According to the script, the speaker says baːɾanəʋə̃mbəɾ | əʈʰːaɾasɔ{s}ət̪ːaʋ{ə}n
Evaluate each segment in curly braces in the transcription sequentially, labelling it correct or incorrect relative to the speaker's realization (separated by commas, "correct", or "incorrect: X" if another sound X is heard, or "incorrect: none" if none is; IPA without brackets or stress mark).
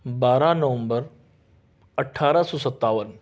correct, correct